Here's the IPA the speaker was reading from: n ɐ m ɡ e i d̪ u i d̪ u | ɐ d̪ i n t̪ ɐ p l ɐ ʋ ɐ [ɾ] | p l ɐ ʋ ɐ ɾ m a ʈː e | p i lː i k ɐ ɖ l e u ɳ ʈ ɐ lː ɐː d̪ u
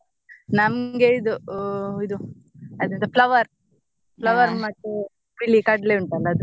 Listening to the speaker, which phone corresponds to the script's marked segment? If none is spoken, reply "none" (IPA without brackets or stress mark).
ɾ